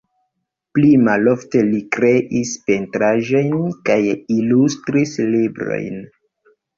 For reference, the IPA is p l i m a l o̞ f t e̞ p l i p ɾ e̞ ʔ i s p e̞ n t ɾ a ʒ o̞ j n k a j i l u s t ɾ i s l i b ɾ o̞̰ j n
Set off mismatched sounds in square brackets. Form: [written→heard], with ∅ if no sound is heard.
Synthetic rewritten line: p l i m a l o̞ f t e̞ [p→∅] l i [p→k] ɾ e̞ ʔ i s p e̞ n t ɾ a ʒ o̞ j n k a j i l u s t ɾ i s l i b ɾ o̞̰ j n